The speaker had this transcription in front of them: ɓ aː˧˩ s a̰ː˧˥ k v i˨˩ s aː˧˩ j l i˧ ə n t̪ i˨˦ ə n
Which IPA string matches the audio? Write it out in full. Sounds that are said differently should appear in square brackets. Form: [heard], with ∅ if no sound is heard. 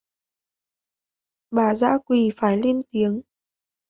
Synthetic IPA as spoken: ɓ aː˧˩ [z] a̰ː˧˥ k [w] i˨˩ [f] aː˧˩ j l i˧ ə n t̪ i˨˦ ə [ŋ]